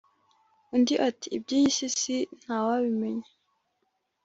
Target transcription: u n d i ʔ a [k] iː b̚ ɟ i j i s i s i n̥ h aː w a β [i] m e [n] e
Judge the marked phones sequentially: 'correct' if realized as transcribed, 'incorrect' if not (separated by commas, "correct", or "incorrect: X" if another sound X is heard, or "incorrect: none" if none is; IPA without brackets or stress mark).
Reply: incorrect: t, correct, incorrect: ɲ